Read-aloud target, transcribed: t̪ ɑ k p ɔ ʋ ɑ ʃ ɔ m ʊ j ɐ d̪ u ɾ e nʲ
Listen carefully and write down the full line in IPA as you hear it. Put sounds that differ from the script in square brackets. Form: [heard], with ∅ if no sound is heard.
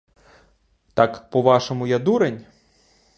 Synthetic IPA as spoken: t̪ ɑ k p ɔ ʋ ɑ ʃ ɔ m ʊ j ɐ d̪ u ɾ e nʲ